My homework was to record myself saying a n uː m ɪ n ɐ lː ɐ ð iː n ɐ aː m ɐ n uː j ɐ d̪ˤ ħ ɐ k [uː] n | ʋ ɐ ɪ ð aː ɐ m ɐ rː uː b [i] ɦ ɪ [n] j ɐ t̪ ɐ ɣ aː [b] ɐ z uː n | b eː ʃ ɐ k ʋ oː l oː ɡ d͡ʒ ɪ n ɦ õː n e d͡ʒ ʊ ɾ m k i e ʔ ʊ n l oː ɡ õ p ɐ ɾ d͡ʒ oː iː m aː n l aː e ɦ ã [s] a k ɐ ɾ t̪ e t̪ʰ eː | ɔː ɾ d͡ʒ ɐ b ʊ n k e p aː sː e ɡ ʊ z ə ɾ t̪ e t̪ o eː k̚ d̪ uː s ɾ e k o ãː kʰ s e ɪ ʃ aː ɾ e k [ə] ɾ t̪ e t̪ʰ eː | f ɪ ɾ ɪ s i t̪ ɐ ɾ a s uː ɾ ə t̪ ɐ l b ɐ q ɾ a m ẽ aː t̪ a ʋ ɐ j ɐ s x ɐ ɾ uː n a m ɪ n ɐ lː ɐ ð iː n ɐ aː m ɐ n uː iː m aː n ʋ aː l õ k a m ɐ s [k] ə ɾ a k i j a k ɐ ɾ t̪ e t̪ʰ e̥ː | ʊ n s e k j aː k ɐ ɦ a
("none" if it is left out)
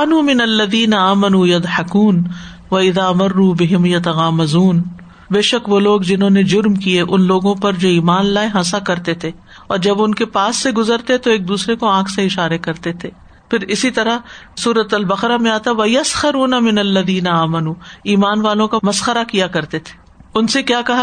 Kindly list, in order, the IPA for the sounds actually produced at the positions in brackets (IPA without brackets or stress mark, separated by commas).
uː, ɪ, m, m, s, ɐ, x